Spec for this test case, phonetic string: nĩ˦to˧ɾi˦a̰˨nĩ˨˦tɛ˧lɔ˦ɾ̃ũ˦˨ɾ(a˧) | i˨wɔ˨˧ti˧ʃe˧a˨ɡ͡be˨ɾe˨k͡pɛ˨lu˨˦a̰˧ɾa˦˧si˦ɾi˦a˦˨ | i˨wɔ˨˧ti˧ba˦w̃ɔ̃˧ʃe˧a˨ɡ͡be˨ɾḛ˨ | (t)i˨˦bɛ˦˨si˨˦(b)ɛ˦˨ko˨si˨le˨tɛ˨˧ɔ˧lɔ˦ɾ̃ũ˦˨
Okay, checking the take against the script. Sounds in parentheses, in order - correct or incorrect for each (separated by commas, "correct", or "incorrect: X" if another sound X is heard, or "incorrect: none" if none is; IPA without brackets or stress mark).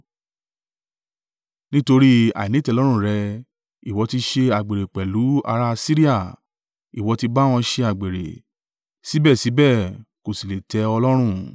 incorrect: ɛ˧, incorrect: s, correct